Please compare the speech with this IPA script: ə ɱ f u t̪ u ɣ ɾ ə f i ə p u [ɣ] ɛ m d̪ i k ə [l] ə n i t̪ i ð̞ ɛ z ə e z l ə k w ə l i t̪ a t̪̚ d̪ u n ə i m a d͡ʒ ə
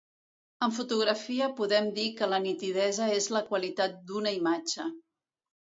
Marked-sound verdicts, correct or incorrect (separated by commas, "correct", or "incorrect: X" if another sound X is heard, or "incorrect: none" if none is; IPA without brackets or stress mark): incorrect: ð, correct